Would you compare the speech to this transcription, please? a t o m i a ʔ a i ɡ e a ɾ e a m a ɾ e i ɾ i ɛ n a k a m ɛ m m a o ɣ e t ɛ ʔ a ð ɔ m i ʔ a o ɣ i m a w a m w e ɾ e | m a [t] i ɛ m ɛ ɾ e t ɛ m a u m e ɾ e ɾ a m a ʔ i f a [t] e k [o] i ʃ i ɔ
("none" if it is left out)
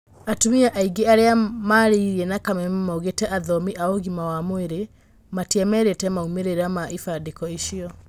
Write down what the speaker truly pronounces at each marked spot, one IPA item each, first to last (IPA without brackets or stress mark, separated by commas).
t, d, ɔ